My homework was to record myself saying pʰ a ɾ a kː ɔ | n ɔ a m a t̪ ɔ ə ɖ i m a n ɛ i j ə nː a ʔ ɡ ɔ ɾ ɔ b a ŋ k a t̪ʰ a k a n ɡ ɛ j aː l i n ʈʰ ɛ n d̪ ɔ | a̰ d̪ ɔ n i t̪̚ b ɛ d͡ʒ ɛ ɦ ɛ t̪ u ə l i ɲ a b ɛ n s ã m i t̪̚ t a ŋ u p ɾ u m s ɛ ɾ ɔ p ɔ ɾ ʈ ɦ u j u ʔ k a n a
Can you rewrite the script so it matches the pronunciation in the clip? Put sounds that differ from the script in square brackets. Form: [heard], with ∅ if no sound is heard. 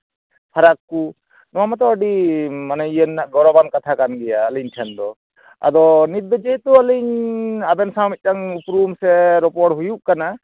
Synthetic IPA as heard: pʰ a ɾ a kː [u] | n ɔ a m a t̪ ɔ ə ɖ i m a n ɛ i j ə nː a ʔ ɡ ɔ ɾ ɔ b a [n] k a t̪ʰ a k a n ɡ ɛ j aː l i [ɲ] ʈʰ ɛ n d̪ ɔ | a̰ d̪ ɔ n i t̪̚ b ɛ d͡ʒ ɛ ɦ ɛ t̪ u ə l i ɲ a b ɛ n s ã m i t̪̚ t a ŋ u p ɾ u m s ɛ ɾ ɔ p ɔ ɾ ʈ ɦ u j u ʔ k a n a